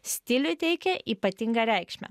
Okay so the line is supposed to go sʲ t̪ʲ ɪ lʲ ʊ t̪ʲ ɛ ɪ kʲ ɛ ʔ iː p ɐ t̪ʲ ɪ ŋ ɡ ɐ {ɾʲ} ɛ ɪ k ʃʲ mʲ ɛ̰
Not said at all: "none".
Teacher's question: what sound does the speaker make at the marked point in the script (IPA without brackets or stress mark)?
ɾʲ